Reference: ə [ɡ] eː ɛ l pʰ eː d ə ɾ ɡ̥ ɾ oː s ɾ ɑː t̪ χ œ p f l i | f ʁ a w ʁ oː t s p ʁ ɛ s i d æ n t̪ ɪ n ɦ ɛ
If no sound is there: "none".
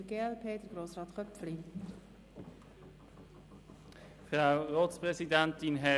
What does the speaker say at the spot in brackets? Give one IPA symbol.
ɡ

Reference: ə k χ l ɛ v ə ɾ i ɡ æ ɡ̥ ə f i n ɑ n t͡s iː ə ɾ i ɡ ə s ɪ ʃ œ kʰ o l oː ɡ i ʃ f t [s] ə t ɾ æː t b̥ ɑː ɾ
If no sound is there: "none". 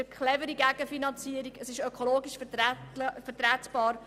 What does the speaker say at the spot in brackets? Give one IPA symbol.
f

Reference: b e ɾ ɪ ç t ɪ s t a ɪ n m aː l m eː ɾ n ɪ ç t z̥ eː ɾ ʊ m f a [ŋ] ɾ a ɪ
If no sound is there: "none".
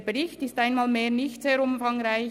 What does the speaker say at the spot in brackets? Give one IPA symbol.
ŋ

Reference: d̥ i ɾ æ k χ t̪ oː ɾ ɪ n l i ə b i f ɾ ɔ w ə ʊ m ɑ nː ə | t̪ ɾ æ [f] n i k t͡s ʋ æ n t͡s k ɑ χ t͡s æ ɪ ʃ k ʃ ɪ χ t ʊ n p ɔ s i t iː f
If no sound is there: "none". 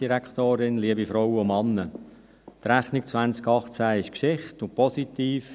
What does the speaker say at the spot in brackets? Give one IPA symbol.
χ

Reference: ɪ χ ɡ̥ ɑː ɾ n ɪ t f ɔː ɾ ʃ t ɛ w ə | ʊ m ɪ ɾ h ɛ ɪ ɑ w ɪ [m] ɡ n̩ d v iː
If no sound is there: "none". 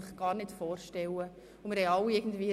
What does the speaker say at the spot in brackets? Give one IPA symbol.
none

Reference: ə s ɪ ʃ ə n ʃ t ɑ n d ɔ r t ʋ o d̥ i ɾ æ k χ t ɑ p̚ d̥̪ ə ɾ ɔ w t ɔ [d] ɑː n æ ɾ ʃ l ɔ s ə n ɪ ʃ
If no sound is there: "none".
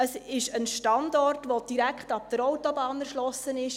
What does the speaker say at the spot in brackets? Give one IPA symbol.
b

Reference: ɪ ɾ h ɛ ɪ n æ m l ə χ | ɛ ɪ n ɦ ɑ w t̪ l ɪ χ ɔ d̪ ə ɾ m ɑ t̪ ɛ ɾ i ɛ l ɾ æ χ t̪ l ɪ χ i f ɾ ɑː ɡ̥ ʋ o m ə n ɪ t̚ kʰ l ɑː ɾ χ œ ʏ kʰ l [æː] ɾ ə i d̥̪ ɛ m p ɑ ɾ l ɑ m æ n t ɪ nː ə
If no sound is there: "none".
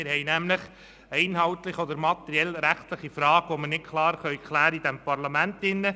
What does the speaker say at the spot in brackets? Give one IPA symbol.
æː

